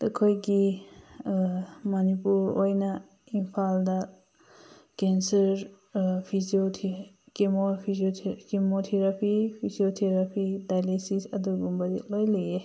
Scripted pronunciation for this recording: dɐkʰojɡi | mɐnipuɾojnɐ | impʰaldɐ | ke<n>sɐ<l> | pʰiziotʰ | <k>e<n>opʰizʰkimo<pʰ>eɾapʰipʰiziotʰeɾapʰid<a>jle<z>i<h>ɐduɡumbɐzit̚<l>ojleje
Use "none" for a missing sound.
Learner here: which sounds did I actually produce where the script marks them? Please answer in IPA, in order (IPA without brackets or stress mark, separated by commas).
n, ɾ, k, m, tʰ, a, s, s, l